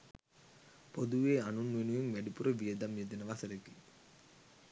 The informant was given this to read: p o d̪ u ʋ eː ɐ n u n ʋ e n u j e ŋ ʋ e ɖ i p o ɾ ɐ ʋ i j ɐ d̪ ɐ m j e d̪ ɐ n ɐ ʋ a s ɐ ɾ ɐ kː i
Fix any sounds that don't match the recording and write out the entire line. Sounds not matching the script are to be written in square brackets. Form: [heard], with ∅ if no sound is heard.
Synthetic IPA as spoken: p o d̪ u ʋ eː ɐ n u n ʋ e n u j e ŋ ʋ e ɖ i p [u] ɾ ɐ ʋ i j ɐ d̪ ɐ m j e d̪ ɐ n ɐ ʋ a s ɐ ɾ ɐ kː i